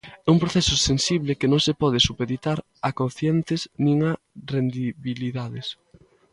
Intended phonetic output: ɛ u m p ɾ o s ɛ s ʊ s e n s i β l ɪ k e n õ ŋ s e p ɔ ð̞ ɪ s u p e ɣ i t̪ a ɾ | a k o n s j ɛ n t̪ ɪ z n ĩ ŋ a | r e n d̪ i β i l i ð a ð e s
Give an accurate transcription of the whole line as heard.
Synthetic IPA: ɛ u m p ɾ o θ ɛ s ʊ s e n s i β l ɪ k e n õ ŋ s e p ɔ ð̞ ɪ s u p e ð i t̪ a ɾ | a k o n θ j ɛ n t̪ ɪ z n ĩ ŋ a | r e n d̪ i β i l i ð a ð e s

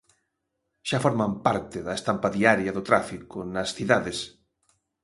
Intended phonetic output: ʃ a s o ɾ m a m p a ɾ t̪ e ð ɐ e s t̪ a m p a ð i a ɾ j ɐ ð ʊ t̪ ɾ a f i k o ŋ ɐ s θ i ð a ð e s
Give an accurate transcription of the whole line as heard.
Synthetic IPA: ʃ a f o ɾ m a m p a ɾ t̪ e ð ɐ e s t̪ a m p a ð i a ɾ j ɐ ð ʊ t̪ ɾ a f i k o n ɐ s θ i ð a ð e s

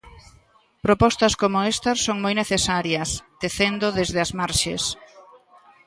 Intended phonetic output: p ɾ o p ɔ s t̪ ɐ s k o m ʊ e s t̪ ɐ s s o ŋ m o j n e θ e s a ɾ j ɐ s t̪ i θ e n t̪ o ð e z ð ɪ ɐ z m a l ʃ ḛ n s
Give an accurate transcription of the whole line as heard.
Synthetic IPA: p ɾ o p ɔ s t̪ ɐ s k o m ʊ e s t̪ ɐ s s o ŋ m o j n e θ e s a ɾ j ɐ s t̪ e θ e n d̪ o ð e z ð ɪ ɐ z m a ɾ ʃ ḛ s

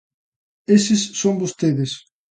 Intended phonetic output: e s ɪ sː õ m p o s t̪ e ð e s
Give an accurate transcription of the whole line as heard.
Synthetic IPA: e s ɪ sː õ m b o s t̪ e ð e s

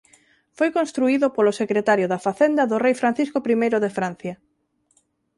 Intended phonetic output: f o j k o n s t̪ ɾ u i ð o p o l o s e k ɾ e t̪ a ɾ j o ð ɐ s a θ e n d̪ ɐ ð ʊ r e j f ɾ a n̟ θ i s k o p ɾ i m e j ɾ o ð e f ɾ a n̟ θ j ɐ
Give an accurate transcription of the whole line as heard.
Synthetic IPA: f o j k o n s t̪ ɾ u i ð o p o l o s e k ɾ e t̪ a ɾ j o ð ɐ f a θ e n d̪ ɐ ð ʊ r e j f ɾ a n̟ θ i s k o p ɾ i m e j ɾ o ð e f ɾ a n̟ θ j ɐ

